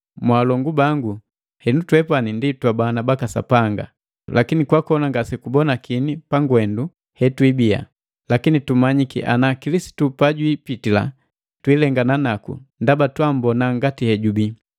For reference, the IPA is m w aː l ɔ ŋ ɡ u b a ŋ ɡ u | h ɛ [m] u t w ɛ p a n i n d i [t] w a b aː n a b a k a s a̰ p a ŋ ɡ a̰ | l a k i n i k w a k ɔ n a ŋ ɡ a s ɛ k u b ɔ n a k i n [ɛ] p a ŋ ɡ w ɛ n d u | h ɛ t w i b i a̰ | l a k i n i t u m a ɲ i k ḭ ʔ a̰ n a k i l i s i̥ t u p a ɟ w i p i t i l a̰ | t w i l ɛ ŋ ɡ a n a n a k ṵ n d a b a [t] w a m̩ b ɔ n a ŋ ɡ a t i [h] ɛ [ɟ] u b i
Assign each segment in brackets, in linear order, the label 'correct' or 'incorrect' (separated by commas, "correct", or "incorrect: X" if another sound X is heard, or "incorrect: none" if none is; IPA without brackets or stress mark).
incorrect: n, correct, incorrect: i, correct, correct, correct